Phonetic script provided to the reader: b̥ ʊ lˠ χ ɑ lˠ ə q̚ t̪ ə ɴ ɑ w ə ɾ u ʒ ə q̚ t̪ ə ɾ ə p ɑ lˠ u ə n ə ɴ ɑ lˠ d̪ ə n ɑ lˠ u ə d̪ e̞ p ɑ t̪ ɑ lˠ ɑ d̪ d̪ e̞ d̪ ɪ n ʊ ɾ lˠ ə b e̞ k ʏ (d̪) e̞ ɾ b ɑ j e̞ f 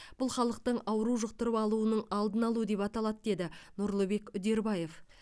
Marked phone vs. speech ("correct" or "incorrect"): correct